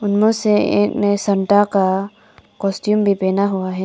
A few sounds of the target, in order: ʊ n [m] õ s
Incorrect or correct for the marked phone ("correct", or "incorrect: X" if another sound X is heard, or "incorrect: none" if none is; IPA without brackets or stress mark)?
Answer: correct